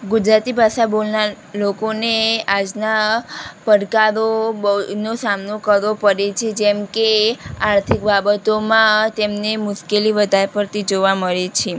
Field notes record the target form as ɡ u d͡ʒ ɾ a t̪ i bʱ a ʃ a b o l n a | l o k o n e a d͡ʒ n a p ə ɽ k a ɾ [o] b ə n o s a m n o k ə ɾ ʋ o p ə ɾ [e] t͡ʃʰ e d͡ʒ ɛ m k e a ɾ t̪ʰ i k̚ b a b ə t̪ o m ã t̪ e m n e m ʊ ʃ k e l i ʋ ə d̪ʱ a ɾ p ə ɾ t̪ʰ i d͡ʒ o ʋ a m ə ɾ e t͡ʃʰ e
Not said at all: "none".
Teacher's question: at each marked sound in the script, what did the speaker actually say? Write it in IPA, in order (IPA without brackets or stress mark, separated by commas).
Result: o, e